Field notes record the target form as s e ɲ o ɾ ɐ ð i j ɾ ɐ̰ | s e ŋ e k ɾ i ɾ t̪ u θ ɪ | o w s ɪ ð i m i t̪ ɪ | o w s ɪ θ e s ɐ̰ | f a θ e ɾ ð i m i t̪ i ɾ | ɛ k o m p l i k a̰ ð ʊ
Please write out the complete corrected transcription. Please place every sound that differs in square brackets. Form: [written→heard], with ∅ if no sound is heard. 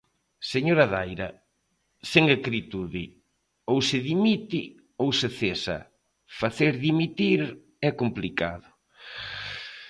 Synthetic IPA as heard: s e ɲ o ɾ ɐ ð [i→a] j ɾ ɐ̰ | s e ŋ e k ɾ i [ɾ→∅] t̪ u [θ→ð] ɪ | o w s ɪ ð i m i t̪ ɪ | o w s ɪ θ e s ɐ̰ | f a θ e ɾ ð i m i t̪ i ɾ | ɛ k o m p l i k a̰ ð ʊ